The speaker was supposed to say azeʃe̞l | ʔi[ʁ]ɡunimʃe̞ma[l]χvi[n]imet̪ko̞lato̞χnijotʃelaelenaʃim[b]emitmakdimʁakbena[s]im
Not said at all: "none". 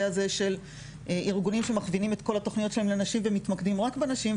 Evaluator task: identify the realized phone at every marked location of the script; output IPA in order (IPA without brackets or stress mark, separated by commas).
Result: ʁ, none, n, v, ʃ